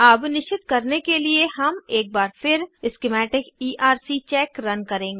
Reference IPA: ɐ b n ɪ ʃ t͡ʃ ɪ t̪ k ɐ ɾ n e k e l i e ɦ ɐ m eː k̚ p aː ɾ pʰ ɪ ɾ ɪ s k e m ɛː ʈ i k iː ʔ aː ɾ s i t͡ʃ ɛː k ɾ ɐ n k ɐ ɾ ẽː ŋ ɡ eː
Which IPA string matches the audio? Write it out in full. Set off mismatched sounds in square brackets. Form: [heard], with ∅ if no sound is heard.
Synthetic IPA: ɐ b n ɪ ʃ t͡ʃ ɪ t̪ k ɐ ɾ n e k e l i e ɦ ɐ m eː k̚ [b] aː ɾ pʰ ɪ ɾ ɪ s k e m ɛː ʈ [ɪ] k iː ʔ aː ɾ s i t͡ʃ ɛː k ɾ ɐ n k ɐ ɾ ẽː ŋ ɡ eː